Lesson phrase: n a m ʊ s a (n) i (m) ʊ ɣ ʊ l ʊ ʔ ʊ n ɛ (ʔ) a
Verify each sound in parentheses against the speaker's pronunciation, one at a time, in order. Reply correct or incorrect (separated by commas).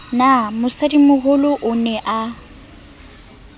incorrect, correct, correct